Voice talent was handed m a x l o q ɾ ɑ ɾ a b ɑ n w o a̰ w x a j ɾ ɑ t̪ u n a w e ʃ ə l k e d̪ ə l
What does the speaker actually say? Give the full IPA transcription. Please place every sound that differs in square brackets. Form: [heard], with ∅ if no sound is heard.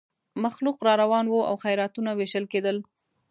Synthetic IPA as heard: m a x l [u] q ɾ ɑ ɾ a [w] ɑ n w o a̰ w x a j ɾ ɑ t̪ u n a w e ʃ ə l k e d̪ ə l